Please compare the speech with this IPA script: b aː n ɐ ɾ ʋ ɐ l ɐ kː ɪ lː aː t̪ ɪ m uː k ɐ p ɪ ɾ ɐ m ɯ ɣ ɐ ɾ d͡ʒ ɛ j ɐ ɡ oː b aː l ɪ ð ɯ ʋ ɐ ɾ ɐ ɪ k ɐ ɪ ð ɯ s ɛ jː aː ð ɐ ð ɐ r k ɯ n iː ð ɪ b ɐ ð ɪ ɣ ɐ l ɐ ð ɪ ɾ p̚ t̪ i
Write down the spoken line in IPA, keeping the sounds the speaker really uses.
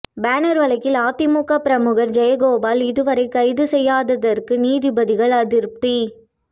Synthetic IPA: b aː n ɐ ɾ ʋ ɐ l ɐ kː ɪ l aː t̪ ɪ m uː k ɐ p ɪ ɾ ɐ m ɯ ɣ ɐ ɾ d͡ʒ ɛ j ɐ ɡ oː b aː l ɪ ð ɯ ʋ ɐ ɾ ɐ ɪ k ɐ ɪ ð ɯ s ɛ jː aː ð ɐ ð ɐ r k ɯ n iː ð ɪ b ɐ ð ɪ ɣ ɐ ɭ ɐ ð ɪ ɾ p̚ t̪ i